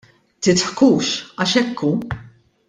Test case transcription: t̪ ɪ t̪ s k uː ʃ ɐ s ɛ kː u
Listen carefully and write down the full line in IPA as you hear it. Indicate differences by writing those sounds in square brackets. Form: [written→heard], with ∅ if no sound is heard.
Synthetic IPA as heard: t̪ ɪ t̪ [s→ħ] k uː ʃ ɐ [s→ʃ] ɛ kː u